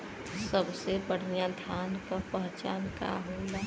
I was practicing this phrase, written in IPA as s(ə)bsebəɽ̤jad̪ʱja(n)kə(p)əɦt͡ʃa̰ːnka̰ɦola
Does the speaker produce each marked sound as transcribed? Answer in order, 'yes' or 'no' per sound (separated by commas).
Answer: yes, yes, yes